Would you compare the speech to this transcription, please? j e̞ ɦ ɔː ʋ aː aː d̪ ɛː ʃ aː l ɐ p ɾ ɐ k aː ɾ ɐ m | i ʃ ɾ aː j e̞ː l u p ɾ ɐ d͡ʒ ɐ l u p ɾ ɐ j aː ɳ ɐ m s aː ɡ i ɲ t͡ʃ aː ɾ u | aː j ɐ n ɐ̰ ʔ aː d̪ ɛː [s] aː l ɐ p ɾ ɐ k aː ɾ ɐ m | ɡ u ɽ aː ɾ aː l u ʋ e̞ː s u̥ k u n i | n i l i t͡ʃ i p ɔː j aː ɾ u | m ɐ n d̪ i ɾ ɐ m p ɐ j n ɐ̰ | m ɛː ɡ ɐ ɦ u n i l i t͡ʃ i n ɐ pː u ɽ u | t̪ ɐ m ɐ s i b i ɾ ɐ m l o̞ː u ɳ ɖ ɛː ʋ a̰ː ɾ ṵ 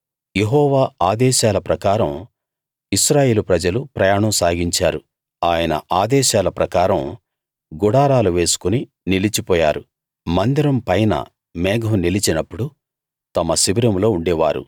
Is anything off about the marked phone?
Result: yes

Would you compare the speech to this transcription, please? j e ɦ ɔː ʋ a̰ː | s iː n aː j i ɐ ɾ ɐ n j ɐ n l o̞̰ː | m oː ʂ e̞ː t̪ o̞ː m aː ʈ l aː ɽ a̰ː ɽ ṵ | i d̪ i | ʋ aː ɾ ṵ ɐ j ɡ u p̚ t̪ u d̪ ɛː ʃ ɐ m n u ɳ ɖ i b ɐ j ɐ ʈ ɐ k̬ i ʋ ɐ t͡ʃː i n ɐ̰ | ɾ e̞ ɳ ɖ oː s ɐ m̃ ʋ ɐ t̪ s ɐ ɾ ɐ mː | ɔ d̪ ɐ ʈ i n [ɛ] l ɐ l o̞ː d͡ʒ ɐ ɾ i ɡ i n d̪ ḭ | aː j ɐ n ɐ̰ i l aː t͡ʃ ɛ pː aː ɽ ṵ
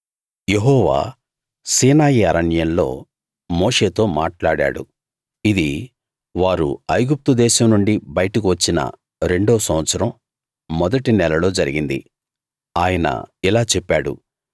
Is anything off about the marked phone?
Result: no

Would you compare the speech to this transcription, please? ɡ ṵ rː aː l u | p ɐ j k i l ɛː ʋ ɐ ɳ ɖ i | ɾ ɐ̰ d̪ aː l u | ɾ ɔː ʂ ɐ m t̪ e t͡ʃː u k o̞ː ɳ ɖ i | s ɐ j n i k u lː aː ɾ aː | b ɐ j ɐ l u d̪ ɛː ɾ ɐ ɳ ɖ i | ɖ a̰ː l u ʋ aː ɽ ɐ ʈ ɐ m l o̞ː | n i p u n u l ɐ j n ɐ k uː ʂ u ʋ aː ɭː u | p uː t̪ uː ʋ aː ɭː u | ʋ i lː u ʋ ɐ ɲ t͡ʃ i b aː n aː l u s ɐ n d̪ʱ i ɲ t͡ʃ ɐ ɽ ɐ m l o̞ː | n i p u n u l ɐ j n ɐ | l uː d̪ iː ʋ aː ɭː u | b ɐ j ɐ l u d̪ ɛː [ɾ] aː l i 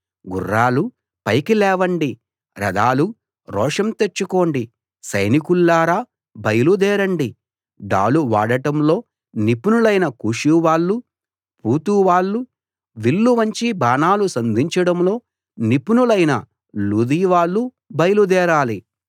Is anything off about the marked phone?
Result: no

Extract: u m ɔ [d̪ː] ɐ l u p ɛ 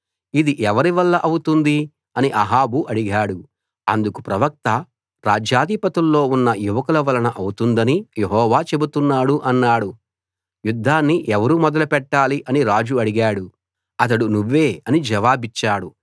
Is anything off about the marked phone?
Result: yes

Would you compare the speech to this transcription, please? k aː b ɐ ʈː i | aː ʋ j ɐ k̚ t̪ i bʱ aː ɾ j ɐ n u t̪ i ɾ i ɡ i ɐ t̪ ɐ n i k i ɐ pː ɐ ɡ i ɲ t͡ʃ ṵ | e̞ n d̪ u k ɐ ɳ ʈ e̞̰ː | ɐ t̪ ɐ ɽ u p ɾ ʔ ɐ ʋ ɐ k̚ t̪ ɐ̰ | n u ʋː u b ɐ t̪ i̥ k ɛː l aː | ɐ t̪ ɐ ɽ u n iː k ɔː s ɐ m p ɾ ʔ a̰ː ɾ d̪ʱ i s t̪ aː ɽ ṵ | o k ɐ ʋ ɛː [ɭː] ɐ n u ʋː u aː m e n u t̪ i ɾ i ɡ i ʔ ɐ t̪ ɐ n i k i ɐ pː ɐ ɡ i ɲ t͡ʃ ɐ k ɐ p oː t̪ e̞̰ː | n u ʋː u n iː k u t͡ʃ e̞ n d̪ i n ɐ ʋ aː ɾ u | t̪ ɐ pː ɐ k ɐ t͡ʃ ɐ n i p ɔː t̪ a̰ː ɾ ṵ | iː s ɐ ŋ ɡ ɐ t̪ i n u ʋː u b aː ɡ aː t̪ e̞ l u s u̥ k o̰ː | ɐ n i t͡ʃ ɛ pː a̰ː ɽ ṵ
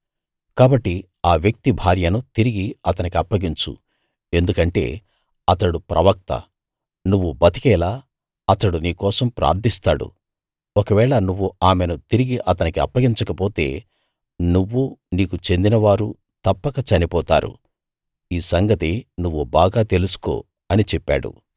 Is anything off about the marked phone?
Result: yes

